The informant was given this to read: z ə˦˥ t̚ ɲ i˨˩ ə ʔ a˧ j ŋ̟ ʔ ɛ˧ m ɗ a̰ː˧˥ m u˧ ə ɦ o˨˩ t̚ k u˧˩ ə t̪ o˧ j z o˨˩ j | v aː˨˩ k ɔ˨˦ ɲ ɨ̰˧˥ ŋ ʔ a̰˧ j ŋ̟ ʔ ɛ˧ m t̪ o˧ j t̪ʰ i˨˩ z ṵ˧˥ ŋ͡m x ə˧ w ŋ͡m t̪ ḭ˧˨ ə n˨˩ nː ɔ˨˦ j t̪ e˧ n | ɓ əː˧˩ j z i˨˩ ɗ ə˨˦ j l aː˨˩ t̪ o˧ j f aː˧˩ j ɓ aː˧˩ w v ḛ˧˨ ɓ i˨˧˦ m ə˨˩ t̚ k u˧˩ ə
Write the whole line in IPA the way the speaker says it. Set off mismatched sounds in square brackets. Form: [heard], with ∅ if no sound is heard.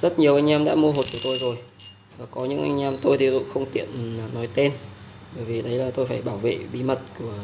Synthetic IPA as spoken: z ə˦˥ t̚ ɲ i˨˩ ə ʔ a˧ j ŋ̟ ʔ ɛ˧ m ɗ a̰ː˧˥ m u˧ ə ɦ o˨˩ t̚ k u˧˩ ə t̪ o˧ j z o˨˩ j | v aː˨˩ k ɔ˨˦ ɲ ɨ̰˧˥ ŋ ʔ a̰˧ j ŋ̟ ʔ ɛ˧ m t̪ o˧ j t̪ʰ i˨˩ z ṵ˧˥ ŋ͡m x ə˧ w ŋ͡m t̪ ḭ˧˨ ə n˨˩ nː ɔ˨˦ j t̪ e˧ n | ɓ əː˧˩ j [v] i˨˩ ɗ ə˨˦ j l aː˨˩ t̪ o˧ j f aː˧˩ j ɓ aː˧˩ w v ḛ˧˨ ɓ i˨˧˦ m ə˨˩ t̚ k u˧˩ ə